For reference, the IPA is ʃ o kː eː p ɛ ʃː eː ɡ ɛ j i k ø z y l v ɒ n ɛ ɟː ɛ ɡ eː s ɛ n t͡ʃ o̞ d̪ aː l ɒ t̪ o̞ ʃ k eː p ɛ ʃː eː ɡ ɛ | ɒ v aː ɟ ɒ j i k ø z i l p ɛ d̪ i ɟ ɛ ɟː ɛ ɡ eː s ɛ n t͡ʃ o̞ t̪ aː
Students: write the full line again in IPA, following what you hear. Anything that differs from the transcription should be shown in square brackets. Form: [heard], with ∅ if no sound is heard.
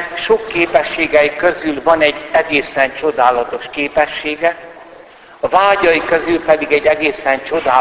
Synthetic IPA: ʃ o kː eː p ɛ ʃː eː ɡ ɛ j i k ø z y l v ɒ n ɛ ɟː ɛ ɡ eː s ɛ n t͡ʃ o̞ d̪ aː l ɒ t̪ o̞ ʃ k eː p ɛ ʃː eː ɡ ɛ | ɒ v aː ɟ ɒ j i k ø z [y] l p ɛ d̪ i [ɡ] ɛ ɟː ɛ ɡ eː s ɛ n t͡ʃ o̞ [d̪] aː